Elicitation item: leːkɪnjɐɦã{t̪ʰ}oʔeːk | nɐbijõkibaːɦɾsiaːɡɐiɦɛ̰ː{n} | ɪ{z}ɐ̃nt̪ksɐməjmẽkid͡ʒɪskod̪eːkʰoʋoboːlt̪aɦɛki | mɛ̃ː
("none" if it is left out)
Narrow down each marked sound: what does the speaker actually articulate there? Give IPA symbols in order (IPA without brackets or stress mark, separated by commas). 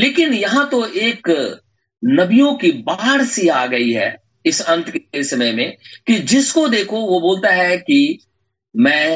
t̪, none, s